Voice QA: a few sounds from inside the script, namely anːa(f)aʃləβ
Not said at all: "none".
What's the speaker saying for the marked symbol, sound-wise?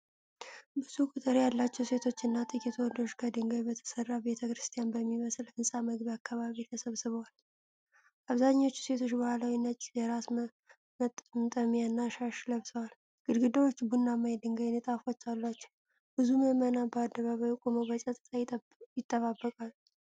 ʃ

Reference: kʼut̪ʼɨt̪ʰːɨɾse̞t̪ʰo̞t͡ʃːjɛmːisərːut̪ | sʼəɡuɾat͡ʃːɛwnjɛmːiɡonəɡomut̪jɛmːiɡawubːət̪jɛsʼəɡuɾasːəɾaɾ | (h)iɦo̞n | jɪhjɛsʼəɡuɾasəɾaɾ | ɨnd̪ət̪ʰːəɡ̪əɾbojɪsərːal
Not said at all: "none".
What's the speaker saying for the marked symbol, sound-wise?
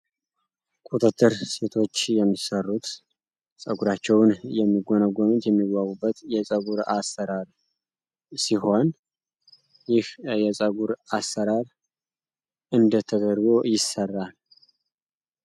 s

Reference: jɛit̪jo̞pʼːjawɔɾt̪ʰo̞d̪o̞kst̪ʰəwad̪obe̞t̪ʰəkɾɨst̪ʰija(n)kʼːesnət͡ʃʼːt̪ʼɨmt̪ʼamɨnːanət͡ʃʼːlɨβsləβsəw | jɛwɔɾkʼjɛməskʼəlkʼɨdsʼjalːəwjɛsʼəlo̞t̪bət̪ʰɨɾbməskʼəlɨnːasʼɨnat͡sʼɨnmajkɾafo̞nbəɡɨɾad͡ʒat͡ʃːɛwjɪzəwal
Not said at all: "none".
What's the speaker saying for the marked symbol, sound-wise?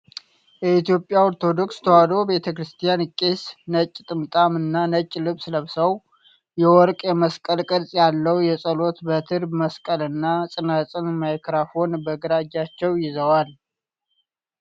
n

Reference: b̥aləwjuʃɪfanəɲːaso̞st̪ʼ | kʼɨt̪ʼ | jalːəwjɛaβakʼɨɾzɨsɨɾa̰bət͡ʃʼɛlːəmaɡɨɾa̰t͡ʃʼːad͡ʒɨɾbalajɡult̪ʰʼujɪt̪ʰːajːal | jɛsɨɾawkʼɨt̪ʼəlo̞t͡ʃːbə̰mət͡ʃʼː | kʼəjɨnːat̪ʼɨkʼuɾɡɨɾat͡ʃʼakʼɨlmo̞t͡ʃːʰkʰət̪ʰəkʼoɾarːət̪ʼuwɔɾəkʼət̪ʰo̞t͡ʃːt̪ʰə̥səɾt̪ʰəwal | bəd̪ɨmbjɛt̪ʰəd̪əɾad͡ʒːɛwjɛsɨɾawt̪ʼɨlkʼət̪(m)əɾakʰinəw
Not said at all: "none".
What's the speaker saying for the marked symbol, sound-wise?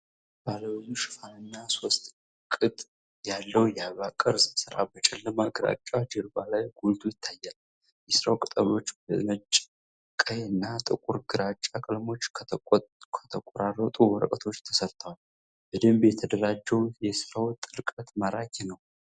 m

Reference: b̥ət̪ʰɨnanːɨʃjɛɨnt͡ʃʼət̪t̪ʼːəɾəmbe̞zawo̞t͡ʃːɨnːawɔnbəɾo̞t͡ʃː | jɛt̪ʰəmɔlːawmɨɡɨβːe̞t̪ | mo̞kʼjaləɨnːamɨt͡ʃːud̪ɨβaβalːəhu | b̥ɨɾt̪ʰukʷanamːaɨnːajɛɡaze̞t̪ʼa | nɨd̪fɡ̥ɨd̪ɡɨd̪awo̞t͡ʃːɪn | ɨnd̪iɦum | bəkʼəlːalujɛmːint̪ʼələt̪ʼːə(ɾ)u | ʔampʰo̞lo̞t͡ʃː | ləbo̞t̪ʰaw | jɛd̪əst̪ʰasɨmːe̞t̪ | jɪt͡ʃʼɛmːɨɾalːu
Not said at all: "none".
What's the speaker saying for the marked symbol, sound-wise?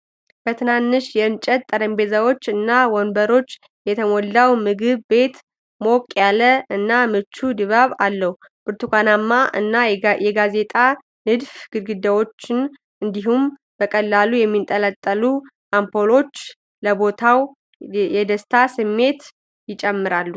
l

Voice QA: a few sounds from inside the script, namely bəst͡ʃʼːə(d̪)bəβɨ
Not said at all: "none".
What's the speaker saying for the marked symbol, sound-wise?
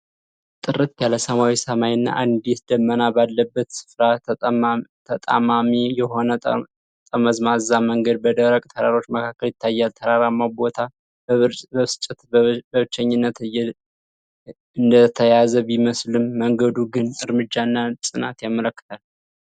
t̪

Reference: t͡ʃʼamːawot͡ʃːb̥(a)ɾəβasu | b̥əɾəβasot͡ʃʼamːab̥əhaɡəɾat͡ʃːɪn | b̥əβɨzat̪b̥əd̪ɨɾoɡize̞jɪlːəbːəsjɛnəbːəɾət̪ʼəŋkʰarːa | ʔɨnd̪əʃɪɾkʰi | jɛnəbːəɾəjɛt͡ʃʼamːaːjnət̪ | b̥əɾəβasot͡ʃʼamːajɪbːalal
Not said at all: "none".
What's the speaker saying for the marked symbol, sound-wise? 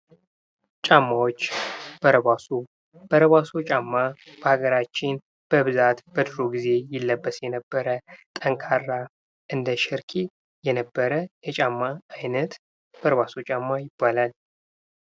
ə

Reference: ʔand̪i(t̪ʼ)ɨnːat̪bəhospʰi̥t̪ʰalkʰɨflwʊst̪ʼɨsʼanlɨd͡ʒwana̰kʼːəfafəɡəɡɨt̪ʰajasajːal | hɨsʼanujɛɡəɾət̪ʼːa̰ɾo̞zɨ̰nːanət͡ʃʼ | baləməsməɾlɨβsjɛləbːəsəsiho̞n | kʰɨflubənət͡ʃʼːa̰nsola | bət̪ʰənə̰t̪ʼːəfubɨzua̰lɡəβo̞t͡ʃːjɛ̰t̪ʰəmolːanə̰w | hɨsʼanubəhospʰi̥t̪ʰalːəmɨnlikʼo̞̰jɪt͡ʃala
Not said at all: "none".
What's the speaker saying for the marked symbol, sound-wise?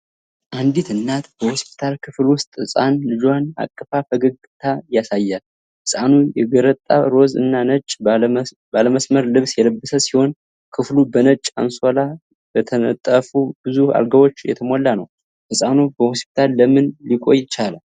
t̪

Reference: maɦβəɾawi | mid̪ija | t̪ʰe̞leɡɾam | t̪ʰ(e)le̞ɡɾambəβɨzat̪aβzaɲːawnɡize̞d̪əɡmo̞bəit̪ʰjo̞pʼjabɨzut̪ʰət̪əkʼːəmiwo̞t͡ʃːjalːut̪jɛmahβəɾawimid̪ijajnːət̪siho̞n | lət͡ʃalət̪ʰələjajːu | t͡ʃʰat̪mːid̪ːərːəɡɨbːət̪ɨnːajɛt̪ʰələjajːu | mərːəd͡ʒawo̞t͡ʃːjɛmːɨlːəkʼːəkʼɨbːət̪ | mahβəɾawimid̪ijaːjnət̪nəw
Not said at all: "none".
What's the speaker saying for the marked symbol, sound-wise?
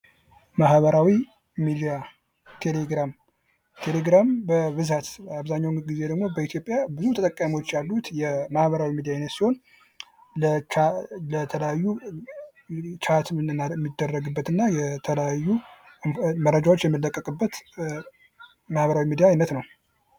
e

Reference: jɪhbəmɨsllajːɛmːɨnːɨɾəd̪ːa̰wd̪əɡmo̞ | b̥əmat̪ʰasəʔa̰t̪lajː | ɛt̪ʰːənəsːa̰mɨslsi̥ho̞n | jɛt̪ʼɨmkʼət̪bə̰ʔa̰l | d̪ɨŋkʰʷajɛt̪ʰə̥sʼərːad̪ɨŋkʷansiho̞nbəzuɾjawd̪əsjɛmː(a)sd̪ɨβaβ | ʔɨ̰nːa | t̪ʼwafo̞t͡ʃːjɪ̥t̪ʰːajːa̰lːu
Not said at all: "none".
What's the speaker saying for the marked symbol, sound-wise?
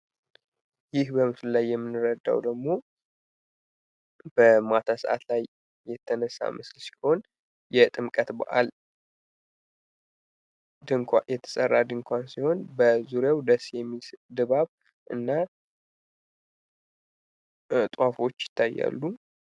i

